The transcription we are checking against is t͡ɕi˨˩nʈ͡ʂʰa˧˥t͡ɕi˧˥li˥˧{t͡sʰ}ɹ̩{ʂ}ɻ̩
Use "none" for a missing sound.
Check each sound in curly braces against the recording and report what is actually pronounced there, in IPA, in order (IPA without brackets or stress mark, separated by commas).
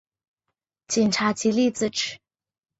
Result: t͡s, ʈ͡ʂ